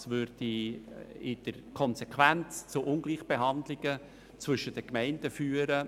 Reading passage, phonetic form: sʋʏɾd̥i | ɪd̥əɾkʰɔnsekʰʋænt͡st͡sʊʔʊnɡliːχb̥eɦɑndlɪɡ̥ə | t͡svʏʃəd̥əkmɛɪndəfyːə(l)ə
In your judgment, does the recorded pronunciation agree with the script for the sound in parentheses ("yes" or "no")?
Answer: no